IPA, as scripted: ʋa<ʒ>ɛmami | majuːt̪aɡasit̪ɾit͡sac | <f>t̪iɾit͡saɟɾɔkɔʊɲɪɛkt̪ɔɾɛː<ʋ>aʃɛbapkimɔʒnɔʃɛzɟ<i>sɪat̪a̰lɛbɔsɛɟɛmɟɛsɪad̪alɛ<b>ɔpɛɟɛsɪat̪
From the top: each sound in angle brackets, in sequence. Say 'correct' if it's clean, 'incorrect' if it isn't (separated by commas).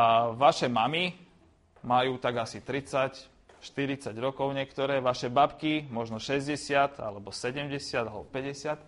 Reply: incorrect, incorrect, correct, incorrect, correct